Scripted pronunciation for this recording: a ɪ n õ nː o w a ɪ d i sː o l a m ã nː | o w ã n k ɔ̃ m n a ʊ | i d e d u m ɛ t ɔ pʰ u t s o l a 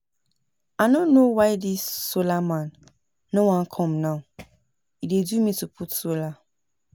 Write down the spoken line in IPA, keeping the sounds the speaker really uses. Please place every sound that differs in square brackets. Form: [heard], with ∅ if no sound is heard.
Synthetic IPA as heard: a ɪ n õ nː o w a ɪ d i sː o l a m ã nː | o w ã n [kʰ] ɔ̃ m n a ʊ | i d e d u m [i] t [u] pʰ u t s o l a